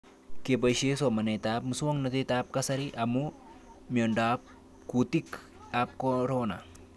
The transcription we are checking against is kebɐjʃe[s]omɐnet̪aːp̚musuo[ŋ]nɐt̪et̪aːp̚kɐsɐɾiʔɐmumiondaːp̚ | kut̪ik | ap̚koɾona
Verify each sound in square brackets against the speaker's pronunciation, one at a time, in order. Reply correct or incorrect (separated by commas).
correct, correct